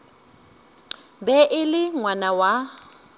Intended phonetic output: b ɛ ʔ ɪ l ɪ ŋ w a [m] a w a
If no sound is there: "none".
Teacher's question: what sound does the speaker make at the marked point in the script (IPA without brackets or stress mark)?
n